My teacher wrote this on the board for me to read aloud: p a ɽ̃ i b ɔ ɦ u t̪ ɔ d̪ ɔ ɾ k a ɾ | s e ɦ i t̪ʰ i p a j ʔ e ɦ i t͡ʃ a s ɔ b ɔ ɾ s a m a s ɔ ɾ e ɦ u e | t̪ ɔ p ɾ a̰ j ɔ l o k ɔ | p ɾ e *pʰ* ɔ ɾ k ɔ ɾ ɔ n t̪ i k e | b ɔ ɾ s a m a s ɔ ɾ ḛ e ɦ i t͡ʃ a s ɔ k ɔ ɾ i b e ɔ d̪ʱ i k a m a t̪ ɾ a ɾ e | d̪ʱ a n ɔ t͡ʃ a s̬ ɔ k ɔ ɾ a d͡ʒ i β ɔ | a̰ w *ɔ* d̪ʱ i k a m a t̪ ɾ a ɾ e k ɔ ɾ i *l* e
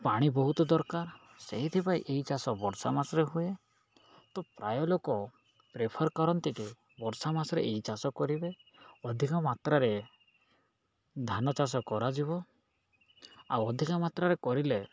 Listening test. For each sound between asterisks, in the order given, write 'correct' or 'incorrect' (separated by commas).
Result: correct, correct, correct